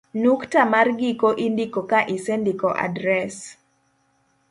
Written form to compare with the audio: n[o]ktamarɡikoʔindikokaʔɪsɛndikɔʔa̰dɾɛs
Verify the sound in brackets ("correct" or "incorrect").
incorrect